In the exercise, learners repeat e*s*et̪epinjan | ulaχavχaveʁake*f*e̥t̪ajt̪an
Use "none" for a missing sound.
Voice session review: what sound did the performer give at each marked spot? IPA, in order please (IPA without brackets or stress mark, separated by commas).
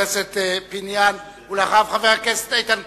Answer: s, s